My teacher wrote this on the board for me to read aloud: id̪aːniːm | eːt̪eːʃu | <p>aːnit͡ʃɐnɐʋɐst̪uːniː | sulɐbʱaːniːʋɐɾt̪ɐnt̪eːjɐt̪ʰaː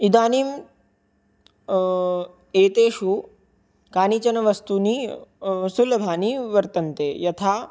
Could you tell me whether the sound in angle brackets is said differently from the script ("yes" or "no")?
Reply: yes